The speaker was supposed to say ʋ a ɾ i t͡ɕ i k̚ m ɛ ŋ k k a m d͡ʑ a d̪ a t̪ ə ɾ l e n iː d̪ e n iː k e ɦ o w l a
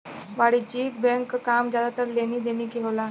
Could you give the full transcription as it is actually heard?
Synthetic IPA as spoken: ʋ a ɽ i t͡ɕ i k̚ b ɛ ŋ k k a m d͡ʑ a d̪ a t̪ ə ɾ l e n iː d̪ e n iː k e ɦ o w l a